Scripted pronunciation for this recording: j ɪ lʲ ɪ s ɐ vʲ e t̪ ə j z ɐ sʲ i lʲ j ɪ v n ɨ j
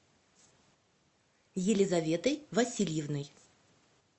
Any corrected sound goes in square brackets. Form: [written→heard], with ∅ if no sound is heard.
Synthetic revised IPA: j ɪ lʲ ɪ [s→z] ɐ vʲ e t̪ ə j [z→v] ɐ sʲ i lʲ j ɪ v n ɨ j